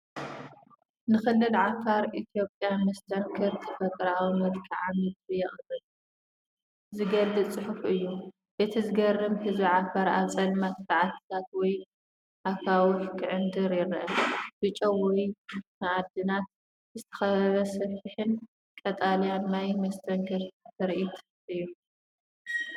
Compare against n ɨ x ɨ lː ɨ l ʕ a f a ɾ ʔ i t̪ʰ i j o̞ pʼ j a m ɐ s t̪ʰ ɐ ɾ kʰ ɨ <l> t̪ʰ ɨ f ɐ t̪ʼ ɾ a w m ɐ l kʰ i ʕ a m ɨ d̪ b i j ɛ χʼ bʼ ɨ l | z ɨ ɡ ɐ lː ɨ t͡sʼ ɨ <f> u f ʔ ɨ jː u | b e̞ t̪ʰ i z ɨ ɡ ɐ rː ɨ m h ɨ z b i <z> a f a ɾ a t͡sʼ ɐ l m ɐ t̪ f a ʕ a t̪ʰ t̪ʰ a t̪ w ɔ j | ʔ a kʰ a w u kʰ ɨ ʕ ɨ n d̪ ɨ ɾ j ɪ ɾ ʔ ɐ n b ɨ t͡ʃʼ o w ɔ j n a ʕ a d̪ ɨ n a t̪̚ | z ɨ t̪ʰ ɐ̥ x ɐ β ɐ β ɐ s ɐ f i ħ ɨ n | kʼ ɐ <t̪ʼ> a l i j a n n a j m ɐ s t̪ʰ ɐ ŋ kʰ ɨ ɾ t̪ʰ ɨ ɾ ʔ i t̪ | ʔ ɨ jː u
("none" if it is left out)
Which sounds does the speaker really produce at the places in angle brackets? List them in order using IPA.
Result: ɾ, ħ, ʕ, t̪ʼ

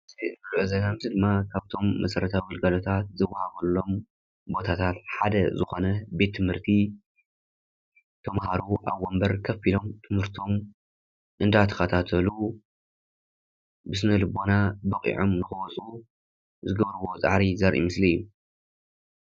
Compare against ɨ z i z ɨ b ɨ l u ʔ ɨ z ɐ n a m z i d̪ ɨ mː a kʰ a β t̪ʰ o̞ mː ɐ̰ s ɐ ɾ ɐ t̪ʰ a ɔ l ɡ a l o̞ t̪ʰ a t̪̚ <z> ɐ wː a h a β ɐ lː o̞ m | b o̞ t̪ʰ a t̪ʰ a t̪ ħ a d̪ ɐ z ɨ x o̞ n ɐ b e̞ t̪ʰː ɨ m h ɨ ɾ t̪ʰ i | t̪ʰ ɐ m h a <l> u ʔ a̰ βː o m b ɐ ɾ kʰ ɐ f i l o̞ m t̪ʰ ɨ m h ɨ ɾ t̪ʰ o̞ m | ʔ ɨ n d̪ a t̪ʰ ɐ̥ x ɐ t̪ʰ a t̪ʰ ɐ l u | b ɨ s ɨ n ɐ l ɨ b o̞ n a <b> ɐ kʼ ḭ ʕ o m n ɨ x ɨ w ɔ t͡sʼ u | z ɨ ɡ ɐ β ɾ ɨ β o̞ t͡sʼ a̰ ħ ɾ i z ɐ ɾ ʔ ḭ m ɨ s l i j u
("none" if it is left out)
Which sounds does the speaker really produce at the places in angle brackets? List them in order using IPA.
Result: z, ɾ, b

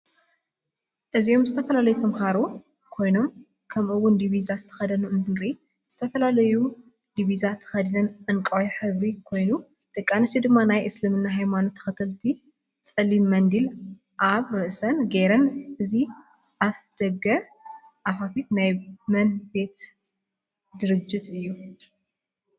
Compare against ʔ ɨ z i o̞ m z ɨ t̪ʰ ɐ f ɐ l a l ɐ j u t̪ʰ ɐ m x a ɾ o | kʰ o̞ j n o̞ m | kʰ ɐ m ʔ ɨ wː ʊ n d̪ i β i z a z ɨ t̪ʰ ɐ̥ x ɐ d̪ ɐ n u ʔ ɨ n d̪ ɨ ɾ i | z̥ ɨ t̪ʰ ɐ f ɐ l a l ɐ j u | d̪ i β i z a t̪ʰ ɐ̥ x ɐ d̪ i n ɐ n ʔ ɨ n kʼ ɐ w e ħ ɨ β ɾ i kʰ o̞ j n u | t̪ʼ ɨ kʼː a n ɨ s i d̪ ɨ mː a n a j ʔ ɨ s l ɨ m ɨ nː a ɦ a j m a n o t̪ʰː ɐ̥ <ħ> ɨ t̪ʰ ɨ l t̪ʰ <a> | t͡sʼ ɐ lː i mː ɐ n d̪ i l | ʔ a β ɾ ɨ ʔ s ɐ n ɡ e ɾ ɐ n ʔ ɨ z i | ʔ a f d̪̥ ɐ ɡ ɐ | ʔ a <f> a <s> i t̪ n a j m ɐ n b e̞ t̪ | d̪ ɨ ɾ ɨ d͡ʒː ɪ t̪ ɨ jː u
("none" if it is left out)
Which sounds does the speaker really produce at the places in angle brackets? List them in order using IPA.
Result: x, i, f, f

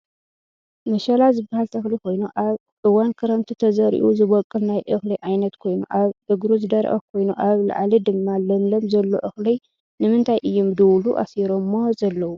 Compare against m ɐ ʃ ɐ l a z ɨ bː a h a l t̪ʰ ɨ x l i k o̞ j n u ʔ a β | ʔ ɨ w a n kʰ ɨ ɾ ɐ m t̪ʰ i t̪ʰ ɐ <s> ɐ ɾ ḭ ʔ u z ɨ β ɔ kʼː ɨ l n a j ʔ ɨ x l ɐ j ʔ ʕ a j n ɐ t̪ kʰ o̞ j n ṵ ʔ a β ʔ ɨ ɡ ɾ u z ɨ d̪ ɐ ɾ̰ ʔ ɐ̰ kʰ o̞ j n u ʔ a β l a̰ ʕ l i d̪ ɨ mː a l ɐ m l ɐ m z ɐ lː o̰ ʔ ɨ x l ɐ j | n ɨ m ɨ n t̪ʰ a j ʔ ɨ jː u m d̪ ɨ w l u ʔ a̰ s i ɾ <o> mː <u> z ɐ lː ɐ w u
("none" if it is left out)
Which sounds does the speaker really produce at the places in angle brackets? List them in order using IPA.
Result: z, o, o

